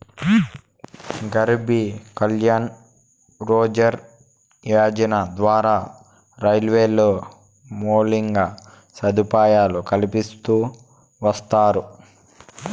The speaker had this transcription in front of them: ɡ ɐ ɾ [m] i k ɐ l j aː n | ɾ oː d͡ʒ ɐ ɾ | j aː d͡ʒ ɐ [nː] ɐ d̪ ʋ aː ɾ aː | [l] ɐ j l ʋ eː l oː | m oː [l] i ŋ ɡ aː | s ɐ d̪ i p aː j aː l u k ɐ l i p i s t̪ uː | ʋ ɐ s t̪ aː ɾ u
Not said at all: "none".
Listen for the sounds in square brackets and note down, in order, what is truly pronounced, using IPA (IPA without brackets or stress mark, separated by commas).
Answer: b, n, ɾ, l